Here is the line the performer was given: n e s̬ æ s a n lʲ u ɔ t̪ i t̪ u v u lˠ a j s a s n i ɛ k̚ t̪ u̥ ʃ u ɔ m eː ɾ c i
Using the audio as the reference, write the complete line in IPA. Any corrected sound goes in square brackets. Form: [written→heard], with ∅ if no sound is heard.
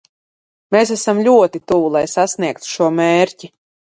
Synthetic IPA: [n→m] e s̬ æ s a [n→m] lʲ u ɔ t̪ i t̪ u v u lˠ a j s a s n i ɛ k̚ t̪ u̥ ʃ u ɔ m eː ɾ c i